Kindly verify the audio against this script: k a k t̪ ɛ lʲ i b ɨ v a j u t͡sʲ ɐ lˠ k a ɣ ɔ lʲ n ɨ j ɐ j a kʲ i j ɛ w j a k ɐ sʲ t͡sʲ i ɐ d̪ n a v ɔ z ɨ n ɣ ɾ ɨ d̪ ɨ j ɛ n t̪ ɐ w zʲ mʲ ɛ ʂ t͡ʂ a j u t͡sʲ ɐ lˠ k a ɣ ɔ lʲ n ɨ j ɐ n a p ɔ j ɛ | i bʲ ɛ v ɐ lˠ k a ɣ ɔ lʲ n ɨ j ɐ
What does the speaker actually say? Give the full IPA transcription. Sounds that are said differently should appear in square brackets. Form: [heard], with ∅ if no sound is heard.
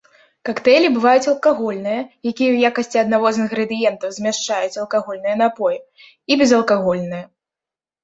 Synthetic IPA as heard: k a k t̪ ɛ lʲ i b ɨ v a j u t͡sʲ ɐ lˠ k a ɣ ɔ lʲ n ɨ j ɐ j a kʲ i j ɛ w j a k ɐ sʲ t͡sʲ i ɐ d̪ n a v ɔ z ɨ n ɣ ɾ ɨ d̪ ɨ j ɛ n t̪ ɐ w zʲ mʲ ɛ ʂ t͡ʂ a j u t͡sʲ ɐ lˠ k a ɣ ɔ lʲ n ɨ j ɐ n a p ɔ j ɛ | i bʲ ɛ [z] ɐ lˠ k a ɣ ɔ lʲ n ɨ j ɐ